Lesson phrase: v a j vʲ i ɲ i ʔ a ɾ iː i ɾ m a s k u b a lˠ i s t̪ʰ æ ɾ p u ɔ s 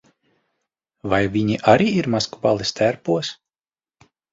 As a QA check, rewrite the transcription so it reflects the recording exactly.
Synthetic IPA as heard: v a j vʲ i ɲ i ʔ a ɾ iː i ɾ m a s k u b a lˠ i s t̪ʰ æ ɾ p u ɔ s